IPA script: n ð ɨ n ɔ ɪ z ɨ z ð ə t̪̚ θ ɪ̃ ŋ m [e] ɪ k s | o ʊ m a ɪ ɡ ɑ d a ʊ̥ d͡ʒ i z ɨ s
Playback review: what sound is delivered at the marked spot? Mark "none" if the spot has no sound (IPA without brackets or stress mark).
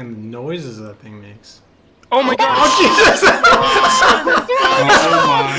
e